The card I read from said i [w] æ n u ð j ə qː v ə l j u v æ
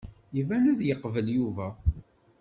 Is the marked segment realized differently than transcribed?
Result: yes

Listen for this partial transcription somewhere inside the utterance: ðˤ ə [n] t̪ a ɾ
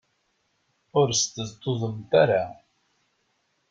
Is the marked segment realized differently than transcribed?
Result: yes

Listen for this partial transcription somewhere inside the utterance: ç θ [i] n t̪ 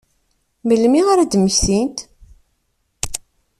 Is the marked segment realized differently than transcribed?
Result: no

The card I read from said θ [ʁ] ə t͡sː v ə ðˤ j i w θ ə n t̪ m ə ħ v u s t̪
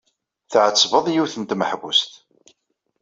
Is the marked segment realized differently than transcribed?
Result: yes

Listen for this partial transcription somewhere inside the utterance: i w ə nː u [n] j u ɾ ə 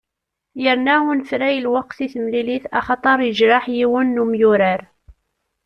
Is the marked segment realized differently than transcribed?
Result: yes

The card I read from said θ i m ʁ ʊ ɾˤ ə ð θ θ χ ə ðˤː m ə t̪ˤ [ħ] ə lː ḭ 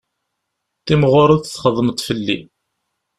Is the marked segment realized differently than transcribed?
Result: yes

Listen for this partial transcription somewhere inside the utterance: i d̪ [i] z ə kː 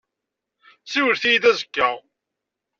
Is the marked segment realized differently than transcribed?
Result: yes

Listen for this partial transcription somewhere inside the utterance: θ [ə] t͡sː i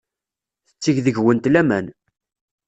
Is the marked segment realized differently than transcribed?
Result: no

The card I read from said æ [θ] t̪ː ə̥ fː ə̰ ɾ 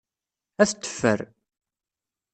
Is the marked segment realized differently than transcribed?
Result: no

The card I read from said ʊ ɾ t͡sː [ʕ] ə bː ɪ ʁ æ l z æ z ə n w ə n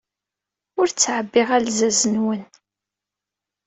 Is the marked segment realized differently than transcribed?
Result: no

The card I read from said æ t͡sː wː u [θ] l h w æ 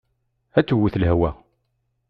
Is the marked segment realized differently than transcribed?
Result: no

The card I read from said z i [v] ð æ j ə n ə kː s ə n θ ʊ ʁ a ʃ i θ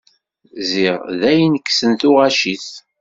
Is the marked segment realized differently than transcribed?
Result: yes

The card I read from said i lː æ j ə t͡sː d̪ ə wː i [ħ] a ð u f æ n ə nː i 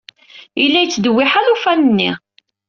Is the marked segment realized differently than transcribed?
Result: no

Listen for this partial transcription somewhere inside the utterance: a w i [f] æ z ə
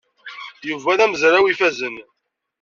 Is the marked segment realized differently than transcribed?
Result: no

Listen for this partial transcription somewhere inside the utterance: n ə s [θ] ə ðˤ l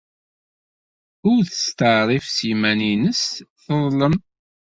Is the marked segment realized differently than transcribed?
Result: no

